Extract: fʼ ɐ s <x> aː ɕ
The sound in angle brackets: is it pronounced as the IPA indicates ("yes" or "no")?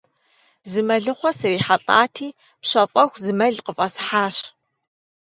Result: no